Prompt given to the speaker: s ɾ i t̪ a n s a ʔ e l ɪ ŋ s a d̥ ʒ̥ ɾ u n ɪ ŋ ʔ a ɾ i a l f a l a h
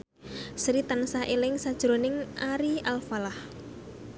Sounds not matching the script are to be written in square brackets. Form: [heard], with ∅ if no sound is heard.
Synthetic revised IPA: s ɾ i t̪ a n s a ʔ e l ɪ ŋ s a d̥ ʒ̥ ɾ [o] n ɪ ŋ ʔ a ɾ i a l f a l a h